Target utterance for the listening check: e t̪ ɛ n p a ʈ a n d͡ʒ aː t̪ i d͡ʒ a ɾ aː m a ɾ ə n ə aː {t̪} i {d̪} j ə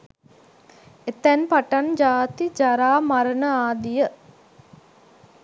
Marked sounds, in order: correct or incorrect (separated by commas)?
incorrect, incorrect